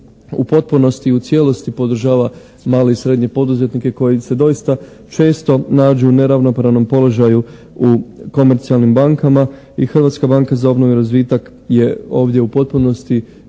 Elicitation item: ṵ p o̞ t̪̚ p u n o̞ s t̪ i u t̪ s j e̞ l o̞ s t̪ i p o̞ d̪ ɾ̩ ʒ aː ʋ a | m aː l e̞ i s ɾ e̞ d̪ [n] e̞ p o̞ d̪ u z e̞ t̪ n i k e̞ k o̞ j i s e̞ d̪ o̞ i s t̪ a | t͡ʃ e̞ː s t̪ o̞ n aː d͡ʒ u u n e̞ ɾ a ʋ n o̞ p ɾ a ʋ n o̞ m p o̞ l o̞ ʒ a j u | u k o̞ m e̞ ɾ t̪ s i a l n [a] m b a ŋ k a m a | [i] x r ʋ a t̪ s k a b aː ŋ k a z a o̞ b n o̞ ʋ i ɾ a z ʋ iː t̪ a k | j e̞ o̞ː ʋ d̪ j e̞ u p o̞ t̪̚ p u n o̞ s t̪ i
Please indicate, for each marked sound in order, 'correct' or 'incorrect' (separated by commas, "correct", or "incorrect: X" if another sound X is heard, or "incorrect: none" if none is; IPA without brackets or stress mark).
incorrect: ɲ, incorrect: i, correct